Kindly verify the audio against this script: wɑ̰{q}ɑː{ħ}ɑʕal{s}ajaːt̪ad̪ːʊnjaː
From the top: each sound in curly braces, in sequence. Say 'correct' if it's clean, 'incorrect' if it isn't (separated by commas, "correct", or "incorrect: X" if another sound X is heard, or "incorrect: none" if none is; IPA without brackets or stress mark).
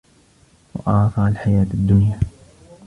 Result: incorrect: ʔ, incorrect: f, incorrect: ħ